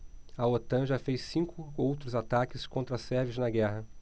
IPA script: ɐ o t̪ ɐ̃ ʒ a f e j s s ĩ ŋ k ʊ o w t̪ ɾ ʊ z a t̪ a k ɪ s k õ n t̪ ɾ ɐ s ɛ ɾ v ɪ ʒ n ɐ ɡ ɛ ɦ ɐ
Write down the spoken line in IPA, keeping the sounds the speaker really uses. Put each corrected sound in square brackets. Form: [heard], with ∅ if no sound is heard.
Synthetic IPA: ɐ o t̪ ɐ̃ ʒ a f e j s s ĩ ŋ k ʊ o w t̪ ɾ ʊ z a t̪ a k ɪ s k õ n t̪ ɾ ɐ s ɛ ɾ v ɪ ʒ n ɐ ɡ ɛ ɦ ɐ